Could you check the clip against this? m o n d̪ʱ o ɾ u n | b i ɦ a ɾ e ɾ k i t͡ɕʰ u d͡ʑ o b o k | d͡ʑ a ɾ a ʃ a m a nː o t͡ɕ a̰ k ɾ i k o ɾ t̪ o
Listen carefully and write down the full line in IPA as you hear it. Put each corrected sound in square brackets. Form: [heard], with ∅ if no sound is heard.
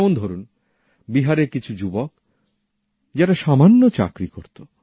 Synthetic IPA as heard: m o n d̪ʱ o ɾ u n | b i ɦ a ɾ e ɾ k i t͡ɕʰ u d͡ʑ [u] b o k | d͡ʑ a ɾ a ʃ a m a nː o t͡ɕ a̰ k ɾ i k o ɾ t̪ o

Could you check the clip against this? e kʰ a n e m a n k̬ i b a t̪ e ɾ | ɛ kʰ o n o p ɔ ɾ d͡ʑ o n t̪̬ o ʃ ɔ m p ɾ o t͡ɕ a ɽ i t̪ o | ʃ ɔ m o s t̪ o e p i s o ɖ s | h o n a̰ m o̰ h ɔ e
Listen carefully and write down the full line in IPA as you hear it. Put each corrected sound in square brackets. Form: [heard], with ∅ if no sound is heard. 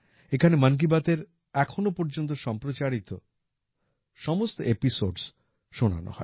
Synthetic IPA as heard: e kʰ a n e m a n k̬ i b a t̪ e ɾ | ɛ kʰ o n o p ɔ ɾ d͡ʑ o n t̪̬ o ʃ ɔ m p ɾ o t͡ɕ a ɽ i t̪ o | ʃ ɔ m o s t̪ o e p i s o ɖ s | [ʃ] o n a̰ [n] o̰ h ɔ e

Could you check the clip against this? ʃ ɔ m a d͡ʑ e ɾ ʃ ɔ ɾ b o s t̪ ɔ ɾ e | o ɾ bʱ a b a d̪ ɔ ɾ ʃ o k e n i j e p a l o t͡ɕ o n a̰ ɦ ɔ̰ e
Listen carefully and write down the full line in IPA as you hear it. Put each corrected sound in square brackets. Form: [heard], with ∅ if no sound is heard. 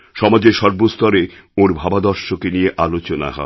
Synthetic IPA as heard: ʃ ɔ m a d͡ʑ e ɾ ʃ ɔ ɾ b o s t̪ ɔ ɾ e | o ɾ bʱ a b a d̪ ɔ ɾ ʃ o k e n i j e [ʔ] a l o t͡ɕ o n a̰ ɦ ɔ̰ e

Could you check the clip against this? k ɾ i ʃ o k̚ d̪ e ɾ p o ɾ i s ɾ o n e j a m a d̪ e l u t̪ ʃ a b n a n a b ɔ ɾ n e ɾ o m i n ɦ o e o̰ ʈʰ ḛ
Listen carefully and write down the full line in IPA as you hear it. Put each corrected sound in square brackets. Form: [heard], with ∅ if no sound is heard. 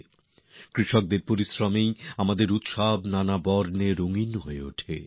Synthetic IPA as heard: k ɾ i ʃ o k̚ d̪ e ɾ p o ɾ i s ɾ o [m] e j a m a d̪ e [ɾ] u t̪ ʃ a b n a n a b ɔ ɾ n e ɾ o [ŋ] i n ɦ o e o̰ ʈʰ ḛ

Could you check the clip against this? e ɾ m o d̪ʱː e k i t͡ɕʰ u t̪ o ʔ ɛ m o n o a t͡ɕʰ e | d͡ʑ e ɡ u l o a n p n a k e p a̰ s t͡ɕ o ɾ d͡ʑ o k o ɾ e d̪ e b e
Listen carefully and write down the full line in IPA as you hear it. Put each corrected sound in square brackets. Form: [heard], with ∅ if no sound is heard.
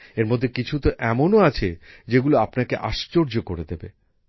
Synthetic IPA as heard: e ɾ m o d̪ʱː e k i t͡ɕʰ u t̪ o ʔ ɛ m o n o a t͡ɕʰ e | d͡ʑ e ɡ u l o a [∅] p n a k e [ʔ] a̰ [ʃ] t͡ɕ o ɾ d͡ʑ o k o ɾ e d̪ e b e

